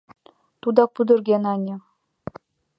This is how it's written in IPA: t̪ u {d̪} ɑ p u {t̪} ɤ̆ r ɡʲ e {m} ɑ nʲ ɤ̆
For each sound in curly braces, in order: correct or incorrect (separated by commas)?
correct, incorrect, incorrect